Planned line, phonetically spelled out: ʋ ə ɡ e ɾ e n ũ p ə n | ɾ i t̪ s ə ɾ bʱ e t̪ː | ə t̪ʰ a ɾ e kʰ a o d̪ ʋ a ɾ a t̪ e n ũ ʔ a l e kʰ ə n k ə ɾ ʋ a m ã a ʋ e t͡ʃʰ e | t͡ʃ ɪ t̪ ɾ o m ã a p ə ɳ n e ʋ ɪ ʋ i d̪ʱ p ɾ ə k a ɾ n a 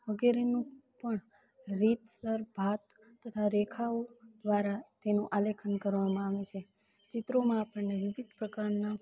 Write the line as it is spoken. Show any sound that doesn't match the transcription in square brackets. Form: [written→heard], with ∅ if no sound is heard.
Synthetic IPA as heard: ʋ ə ɡ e ɾ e n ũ p ə [n→ɳ] | ɾ i t̪ s ə ɾ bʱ [e→a] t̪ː | ə t̪ʰ a ɾ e kʰ a o d̪ ʋ a ɾ a t̪ e n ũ ʔ a l e kʰ ə n k ə ɾ ʋ a m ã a ʋ e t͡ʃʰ e | t͡ʃ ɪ t̪ ɾ o m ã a p ə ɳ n e ʋ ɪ ʋ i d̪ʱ p ɾ ə k a ɾ n a